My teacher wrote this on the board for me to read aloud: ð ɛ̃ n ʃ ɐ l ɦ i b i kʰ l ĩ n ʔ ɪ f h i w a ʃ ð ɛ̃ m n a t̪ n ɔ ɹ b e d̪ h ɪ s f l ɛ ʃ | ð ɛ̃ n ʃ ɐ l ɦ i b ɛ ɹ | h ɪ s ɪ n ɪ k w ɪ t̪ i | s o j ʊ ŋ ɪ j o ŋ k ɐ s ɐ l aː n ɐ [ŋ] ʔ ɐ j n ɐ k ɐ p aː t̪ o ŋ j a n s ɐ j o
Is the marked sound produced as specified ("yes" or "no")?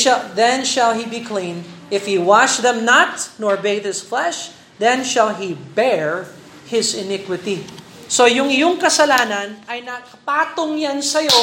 no